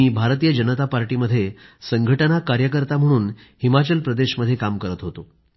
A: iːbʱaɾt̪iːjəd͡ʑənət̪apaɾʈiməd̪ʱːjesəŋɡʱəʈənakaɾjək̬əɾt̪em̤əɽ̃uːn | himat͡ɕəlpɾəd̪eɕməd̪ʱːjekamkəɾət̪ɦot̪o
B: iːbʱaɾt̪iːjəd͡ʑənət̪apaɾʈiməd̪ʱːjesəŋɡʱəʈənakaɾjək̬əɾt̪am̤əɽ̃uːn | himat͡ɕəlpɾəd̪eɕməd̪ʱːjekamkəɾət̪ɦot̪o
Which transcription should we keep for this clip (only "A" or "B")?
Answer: B